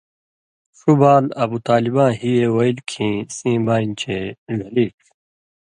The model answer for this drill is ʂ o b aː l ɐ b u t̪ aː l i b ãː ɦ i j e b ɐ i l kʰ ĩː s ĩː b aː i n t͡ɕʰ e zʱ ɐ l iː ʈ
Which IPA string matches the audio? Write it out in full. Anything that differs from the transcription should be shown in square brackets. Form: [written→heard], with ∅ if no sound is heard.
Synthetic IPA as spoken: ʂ [o→u] b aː l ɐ b u t̪ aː l i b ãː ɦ i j e [b→w] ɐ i l kʰ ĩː s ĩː b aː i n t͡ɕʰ e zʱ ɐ l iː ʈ